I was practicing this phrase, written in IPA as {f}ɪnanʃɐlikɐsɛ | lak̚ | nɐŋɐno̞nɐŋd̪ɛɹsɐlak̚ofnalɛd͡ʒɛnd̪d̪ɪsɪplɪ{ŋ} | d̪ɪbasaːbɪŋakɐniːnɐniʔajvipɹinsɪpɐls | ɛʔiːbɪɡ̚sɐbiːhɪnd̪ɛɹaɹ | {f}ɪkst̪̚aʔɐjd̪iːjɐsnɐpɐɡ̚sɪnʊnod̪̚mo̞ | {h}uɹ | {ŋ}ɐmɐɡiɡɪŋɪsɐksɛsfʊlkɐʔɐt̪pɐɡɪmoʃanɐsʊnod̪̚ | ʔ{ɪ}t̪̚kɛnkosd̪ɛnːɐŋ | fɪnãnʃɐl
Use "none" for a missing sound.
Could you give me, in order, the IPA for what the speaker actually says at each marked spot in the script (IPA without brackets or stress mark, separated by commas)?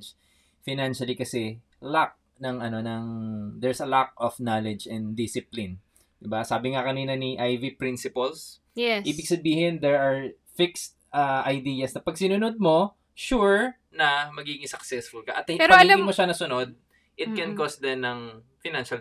f, n, f, ʃ, n, ɪ